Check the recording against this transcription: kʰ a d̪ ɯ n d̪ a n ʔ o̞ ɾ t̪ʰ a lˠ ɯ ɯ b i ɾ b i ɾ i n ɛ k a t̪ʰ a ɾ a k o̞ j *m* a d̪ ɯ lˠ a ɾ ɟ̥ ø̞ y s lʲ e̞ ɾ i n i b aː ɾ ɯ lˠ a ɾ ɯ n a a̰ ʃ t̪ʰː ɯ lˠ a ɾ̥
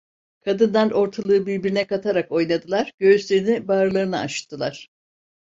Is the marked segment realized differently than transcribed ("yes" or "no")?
yes